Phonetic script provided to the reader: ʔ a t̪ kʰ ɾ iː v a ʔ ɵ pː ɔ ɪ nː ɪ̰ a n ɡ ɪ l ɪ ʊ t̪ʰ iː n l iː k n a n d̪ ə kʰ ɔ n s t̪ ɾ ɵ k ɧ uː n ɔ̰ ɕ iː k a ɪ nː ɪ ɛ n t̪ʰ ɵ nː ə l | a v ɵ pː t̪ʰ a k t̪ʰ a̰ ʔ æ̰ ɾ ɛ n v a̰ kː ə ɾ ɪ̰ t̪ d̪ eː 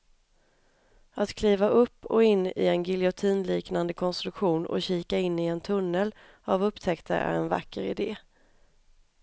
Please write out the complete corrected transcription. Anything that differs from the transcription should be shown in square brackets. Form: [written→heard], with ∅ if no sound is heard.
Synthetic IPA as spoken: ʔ a t̪ kʰ [ɾ→l] iː v a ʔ ɵ pː ɔ ɪ nː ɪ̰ [a→ɛ] n ɡ ɪ l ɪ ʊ t̪ʰ iː n l iː k n a n d̪ ə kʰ ɔ n s t̪ ɾ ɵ k ɧ uː n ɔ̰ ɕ iː k a ɪ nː ɪ ɛ n t̪ʰ ɵ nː ə l | a v ɵ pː t̪ʰ [a→ɛ] k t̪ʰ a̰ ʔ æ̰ ɾ ɛ n v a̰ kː ə ɾ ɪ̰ [t̪→∅] d̪ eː

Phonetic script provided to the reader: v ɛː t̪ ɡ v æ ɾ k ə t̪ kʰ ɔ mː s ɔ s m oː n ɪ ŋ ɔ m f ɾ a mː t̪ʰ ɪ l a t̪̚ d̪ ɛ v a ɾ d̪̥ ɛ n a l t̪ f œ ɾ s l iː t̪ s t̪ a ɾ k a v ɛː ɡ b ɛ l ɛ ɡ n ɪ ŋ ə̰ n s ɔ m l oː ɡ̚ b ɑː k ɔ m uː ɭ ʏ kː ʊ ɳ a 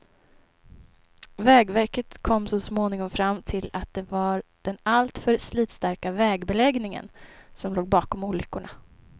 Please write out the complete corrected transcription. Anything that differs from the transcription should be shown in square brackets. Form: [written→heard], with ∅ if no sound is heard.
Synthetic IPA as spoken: v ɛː [t̪→∅] ɡ v æ ɾ k ə t̪ kʰ ɔ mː s ɔ s m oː n ɪ ŋ ɔ m f ɾ a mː t̪ʰ ɪ l a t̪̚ d̪ ɛ v a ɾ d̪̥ ɛ n a l t̪ f œ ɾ s l iː t̪ s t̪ a ɾ k a v ɛː ɡ b ɛ l ɛ ɡ n ɪ ŋ ə̰ n s ɔ m l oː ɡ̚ b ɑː k ɔ m uː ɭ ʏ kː ʊ ɳ a

